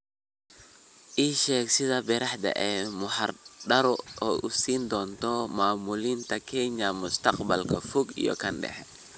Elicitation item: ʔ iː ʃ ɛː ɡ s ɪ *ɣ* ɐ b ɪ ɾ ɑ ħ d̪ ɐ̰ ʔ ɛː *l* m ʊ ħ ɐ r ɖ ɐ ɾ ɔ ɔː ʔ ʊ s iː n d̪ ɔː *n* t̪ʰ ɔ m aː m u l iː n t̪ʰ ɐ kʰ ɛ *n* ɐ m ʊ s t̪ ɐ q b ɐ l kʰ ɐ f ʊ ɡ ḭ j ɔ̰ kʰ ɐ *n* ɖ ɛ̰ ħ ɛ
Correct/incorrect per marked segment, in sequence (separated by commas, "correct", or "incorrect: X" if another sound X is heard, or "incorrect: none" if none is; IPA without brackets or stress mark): incorrect: ð, incorrect: none, correct, incorrect: ɲ, correct